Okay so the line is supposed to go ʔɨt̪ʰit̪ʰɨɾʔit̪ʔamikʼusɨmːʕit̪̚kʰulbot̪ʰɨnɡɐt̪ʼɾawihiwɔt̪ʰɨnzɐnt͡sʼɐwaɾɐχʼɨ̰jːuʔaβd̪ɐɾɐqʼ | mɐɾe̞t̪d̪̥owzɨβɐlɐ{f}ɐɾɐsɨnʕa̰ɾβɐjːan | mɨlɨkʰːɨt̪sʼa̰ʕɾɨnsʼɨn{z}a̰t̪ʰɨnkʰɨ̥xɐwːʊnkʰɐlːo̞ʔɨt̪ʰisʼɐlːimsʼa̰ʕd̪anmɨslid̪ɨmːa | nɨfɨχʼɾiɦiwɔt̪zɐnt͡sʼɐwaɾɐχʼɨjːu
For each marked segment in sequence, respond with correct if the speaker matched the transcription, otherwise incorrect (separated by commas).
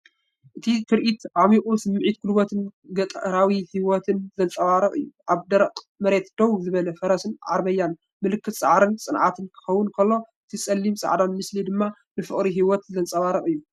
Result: correct, incorrect